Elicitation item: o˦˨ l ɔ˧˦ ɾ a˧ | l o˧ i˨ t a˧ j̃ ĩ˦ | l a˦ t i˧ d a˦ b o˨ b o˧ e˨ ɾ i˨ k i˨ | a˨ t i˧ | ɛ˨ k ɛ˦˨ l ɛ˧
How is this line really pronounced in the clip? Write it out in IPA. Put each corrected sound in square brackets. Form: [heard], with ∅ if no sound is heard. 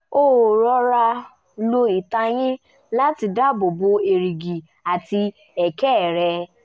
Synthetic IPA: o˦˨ [ɾ] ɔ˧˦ ɾ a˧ | l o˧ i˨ t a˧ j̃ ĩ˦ | l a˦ t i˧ d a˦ b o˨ b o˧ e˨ ɾ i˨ [ɡ] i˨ | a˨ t i˧ | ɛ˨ k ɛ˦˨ [ɾ] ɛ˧